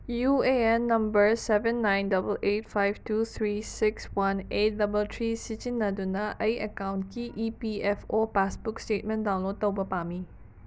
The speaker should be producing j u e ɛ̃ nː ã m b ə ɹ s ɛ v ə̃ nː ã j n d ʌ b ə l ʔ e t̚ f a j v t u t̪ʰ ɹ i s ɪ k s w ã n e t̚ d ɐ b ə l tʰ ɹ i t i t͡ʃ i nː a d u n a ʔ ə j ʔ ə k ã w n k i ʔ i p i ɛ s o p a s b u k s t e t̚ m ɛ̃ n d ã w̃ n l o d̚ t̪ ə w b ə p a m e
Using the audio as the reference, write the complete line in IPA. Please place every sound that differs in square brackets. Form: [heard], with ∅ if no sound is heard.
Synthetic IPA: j u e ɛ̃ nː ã m b ə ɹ s ɛ v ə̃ nː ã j n d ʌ b ə l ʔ e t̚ f a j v t u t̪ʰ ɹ i s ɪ k s w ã n e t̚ d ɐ b ə l tʰ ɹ i [s] i t͡ʃ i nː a d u n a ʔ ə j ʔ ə k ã w n k i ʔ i p i ɛ [f] o p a s b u k s t e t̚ m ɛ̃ n d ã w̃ n l o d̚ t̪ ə w b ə p a m [i]